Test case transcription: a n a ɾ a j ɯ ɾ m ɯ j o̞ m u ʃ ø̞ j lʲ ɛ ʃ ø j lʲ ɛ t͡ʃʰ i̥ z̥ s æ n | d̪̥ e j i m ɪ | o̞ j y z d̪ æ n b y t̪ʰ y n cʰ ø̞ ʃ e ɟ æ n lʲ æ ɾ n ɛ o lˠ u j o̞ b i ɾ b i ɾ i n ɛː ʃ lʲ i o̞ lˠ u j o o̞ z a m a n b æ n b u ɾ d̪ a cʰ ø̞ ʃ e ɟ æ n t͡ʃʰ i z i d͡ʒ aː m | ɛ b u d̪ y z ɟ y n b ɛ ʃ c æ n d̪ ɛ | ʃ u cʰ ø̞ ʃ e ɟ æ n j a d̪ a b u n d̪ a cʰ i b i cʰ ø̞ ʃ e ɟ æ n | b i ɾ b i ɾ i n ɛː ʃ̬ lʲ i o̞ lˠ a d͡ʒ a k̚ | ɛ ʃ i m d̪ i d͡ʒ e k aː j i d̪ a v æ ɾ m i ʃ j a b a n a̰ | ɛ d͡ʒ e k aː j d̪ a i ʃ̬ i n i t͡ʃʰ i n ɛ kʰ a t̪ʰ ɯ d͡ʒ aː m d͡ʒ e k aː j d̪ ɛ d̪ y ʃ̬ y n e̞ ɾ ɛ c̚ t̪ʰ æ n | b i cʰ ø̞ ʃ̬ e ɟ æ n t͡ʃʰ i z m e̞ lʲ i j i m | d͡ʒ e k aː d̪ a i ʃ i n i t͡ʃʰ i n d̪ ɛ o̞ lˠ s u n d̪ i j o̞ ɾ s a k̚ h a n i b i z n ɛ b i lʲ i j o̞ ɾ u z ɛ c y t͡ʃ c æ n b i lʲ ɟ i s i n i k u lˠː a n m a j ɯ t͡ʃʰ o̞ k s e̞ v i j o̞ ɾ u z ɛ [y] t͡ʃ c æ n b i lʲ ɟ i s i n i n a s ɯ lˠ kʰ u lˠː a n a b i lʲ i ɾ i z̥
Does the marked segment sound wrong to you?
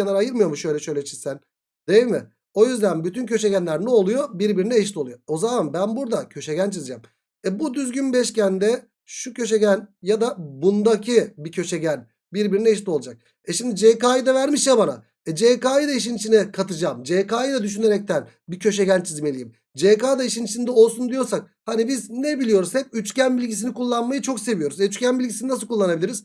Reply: no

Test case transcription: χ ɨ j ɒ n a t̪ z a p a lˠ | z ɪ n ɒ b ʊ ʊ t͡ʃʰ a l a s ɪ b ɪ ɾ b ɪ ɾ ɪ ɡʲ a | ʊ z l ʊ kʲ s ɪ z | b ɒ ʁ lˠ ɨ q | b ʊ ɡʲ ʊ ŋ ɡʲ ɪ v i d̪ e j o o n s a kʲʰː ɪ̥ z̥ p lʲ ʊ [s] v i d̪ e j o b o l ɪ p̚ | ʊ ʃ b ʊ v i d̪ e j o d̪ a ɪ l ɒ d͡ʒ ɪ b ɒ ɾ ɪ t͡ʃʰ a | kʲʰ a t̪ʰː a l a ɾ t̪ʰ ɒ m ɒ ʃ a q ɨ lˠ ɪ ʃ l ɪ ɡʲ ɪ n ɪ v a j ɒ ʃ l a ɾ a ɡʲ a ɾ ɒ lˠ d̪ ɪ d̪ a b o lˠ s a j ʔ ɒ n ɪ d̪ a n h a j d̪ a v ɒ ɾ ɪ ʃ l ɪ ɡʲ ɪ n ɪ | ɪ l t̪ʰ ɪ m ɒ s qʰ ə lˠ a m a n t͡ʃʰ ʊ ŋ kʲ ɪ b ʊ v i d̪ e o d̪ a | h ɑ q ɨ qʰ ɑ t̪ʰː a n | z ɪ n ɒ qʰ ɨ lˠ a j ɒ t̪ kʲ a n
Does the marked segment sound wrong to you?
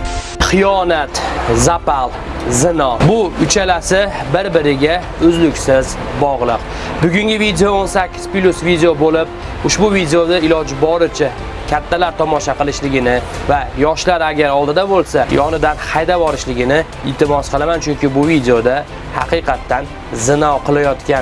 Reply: no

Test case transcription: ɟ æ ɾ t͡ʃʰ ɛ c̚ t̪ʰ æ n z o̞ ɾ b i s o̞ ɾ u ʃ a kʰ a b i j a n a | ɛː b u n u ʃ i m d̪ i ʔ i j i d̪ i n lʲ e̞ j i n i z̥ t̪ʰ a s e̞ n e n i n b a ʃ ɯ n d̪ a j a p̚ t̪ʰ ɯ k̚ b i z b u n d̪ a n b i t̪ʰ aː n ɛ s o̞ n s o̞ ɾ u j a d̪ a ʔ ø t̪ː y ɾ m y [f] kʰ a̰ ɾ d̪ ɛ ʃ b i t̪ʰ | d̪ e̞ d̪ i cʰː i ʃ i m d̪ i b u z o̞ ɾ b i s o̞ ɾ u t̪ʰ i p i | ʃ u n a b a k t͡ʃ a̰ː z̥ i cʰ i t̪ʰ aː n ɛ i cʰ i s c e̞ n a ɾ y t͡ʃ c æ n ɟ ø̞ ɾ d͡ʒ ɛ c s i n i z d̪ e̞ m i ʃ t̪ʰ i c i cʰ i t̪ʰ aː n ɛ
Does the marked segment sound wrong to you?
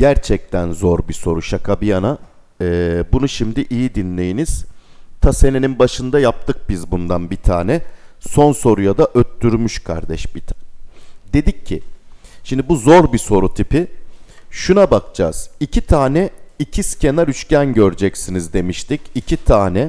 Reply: yes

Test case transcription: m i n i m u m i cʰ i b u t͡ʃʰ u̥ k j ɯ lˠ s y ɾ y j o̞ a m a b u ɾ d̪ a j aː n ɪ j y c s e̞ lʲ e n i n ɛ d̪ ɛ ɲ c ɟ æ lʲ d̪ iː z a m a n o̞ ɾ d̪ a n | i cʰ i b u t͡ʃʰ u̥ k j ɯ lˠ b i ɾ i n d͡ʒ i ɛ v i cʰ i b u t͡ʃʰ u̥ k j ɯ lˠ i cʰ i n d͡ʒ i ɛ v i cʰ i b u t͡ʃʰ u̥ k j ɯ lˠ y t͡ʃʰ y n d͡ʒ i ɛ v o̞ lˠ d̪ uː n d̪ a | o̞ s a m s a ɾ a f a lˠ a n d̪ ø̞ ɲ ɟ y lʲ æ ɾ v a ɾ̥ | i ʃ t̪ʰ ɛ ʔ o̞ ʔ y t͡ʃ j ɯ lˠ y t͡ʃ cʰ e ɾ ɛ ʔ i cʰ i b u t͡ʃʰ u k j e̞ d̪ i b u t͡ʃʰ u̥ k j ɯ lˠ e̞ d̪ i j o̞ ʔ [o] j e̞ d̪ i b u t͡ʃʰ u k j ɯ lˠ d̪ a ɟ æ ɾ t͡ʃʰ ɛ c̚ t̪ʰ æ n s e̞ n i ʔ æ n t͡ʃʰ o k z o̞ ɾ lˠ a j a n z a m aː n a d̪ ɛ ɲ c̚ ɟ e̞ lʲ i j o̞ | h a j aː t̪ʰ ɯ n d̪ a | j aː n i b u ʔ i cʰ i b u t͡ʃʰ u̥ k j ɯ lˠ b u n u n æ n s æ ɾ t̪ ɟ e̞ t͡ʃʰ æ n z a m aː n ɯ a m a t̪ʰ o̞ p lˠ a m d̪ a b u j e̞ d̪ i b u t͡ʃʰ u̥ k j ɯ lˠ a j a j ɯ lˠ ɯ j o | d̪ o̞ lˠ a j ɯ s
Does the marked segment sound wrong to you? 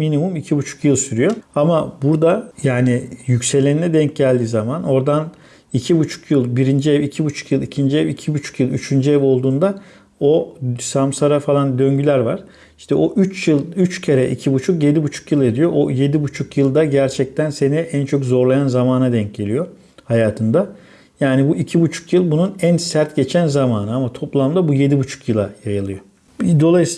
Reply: no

